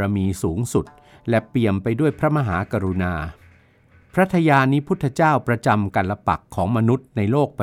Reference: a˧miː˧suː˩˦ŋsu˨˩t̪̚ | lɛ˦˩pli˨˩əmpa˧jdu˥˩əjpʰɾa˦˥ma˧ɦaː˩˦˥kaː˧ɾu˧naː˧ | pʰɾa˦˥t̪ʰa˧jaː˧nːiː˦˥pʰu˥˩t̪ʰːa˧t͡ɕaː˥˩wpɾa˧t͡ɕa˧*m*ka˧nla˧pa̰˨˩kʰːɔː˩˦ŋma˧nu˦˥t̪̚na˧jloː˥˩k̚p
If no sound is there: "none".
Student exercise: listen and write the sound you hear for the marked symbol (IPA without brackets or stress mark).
m